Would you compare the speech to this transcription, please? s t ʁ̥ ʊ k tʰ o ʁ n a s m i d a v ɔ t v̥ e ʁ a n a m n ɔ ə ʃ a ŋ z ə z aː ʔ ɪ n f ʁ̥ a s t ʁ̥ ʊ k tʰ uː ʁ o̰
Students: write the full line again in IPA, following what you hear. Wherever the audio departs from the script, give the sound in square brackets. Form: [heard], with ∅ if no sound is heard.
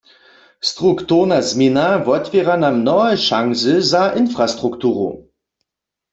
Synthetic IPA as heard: s t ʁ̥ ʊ k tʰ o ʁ n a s m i [n] a v ɔ t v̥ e ʁ a n a m n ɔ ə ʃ a ŋ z ə z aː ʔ ɪ n f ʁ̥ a s t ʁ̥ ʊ k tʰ uː ʁ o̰